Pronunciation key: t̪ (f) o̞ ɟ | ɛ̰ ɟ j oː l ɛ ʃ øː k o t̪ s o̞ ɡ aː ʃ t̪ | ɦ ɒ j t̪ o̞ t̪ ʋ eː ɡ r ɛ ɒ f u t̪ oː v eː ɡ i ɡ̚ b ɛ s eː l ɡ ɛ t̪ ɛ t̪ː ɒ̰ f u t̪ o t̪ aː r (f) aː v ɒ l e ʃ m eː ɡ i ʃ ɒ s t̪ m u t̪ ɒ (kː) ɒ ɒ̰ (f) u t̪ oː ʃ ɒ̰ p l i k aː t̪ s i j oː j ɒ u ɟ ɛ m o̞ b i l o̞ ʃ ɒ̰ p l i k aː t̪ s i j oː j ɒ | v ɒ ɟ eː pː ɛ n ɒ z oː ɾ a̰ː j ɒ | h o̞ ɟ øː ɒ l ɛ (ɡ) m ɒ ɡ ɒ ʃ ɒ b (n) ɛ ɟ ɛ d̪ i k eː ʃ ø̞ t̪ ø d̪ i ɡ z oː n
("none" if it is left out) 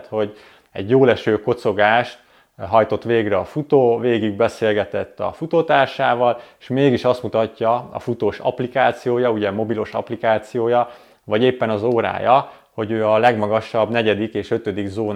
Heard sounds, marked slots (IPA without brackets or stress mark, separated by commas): h, ʃ, cː, f, ɡ, n